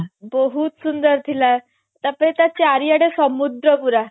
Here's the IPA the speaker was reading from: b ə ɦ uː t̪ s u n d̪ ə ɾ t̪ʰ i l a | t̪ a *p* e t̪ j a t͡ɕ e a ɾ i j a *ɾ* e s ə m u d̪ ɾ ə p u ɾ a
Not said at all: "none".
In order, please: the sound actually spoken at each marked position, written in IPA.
p, ɽ

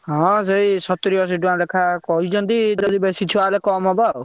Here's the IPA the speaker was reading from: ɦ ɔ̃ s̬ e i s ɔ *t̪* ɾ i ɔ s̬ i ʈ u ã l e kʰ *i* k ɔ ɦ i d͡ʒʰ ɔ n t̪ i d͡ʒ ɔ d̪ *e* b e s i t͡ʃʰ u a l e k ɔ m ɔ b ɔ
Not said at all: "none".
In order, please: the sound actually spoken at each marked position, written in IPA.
t̪, a, i

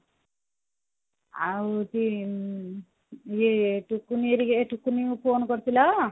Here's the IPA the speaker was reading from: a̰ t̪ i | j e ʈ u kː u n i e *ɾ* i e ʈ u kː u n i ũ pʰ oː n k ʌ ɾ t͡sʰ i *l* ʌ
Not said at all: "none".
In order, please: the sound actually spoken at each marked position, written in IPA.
ɾ, l

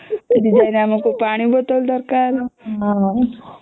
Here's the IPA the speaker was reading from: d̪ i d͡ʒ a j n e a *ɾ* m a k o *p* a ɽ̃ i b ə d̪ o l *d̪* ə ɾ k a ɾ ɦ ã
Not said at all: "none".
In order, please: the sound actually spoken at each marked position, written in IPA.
none, p, d̪

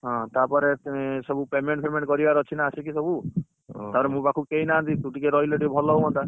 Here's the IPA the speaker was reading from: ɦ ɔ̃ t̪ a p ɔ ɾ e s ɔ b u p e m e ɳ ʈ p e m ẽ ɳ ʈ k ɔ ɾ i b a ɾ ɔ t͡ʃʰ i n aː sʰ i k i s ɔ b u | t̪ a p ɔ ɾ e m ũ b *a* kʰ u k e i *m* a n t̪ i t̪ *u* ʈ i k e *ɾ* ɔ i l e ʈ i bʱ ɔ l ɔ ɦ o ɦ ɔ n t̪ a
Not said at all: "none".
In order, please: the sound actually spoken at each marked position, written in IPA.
a, n, u, ɾ

